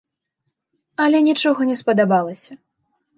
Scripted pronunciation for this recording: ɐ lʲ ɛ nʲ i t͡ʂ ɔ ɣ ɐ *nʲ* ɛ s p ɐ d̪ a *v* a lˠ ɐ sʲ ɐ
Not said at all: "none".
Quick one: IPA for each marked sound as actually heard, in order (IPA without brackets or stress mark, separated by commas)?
nʲ, b